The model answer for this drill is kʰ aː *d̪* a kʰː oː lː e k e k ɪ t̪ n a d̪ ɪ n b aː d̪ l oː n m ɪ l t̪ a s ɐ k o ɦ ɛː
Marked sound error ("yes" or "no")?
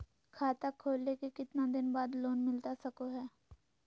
yes